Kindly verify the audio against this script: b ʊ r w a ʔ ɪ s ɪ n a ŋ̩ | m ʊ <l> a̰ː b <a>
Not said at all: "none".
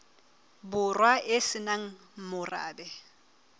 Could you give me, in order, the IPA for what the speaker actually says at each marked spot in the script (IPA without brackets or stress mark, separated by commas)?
r, ɛ